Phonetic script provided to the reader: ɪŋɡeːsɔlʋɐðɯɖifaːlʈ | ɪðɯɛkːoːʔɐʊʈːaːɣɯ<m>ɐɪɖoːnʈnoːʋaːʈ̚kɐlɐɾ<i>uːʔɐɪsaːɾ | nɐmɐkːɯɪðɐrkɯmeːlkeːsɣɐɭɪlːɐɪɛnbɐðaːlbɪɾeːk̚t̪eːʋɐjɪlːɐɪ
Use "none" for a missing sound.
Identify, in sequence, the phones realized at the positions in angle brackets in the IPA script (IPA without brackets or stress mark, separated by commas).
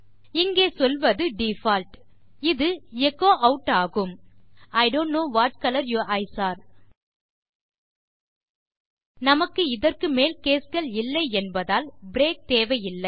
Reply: m, j